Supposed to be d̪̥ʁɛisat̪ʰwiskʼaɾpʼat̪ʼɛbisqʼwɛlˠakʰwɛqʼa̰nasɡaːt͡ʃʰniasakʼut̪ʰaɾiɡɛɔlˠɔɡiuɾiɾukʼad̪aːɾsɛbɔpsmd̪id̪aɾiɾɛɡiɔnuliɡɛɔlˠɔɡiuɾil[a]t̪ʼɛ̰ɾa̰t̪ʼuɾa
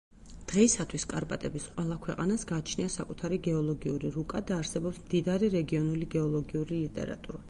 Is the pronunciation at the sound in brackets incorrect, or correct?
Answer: incorrect: i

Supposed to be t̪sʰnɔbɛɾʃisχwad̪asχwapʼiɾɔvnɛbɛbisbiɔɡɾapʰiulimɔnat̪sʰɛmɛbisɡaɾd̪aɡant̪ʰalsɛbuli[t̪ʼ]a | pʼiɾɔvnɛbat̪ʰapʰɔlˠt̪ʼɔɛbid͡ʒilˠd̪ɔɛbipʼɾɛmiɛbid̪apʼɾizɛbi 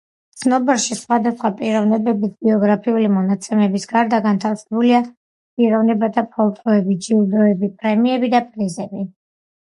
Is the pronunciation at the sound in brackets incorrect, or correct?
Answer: incorrect: none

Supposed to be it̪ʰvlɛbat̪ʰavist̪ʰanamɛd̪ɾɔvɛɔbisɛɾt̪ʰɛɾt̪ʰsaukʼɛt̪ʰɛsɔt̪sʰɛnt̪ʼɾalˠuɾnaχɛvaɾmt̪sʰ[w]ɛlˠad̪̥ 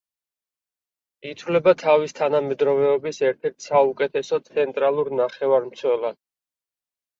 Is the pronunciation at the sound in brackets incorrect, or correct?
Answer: correct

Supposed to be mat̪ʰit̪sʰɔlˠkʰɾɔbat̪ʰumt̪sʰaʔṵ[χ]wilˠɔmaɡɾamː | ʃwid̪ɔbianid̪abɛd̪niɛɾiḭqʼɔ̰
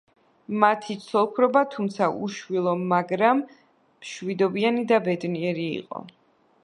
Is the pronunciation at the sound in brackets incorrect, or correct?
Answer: incorrect: ʃ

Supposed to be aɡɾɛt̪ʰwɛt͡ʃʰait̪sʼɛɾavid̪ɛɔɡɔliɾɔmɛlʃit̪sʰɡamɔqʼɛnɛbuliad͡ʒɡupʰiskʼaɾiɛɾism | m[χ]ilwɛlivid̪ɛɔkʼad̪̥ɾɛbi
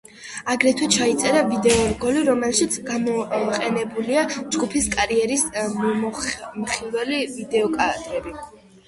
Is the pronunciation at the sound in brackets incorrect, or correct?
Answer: correct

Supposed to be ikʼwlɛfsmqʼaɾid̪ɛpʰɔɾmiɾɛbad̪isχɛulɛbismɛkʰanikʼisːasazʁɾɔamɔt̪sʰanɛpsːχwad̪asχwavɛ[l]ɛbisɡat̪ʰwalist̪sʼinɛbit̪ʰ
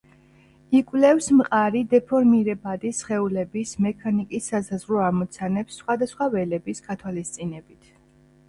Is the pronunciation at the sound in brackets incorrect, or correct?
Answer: correct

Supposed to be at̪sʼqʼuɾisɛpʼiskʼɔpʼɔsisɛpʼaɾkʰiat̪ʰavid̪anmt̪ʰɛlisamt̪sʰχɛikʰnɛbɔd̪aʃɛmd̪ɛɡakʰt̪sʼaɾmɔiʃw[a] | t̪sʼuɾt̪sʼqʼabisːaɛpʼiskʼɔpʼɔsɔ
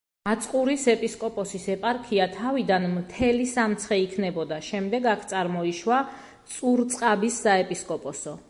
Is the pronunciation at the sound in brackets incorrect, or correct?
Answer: correct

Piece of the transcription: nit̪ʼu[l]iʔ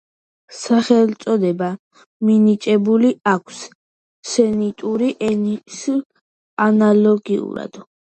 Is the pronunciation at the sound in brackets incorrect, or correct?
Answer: incorrect: ɾ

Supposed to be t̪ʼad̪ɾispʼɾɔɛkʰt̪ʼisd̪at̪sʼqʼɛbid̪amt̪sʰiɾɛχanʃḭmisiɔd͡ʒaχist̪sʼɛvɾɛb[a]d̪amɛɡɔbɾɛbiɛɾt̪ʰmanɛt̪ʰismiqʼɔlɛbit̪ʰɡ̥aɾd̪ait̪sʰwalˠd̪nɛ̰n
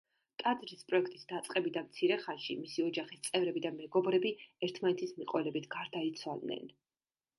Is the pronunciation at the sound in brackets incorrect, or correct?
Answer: incorrect: i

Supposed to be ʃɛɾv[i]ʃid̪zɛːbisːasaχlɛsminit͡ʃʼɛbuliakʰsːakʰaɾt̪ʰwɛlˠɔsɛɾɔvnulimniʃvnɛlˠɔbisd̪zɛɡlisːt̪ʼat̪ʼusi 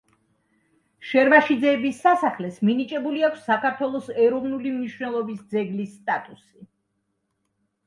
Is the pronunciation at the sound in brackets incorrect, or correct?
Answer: incorrect: a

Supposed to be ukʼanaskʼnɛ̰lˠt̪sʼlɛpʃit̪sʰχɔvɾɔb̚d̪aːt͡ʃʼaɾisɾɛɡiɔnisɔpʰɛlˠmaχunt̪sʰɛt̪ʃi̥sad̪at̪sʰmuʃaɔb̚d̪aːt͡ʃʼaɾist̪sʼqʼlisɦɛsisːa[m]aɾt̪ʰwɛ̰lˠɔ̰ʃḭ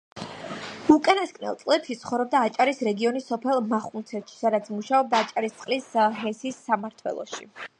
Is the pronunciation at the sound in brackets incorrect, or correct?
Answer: correct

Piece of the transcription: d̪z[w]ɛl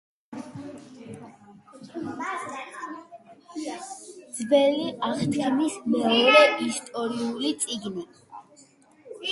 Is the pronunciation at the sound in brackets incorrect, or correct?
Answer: incorrect: b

